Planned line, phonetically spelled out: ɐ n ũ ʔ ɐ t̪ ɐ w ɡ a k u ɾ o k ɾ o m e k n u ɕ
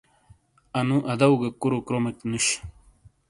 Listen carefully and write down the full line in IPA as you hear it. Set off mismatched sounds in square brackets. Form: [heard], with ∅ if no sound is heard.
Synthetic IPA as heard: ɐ n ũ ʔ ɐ [d̪] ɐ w ɡ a k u ɾ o k ɾ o m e k n u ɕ